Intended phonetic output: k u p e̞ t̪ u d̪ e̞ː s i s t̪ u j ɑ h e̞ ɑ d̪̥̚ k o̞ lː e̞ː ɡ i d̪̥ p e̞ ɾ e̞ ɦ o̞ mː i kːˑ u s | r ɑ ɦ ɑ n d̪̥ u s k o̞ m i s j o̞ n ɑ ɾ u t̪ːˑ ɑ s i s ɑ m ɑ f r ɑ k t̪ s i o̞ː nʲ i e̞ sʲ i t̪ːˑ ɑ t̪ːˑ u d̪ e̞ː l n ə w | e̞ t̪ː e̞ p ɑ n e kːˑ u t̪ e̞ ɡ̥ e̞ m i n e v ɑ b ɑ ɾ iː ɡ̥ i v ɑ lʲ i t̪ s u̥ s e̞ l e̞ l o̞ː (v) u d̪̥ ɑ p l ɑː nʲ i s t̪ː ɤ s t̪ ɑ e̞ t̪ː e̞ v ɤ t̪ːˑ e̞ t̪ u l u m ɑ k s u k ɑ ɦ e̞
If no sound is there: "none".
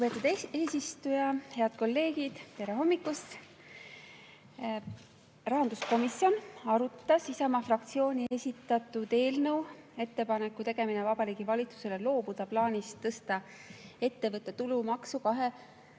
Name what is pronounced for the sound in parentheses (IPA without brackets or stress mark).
b